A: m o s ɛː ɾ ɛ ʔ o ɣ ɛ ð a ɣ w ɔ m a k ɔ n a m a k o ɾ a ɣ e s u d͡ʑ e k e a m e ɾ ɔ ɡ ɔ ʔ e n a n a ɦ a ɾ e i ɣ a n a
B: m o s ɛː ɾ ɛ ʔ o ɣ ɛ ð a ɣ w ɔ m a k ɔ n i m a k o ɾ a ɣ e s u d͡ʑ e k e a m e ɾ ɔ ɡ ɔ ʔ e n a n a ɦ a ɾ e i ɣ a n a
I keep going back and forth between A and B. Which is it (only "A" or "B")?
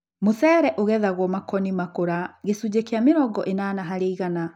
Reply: B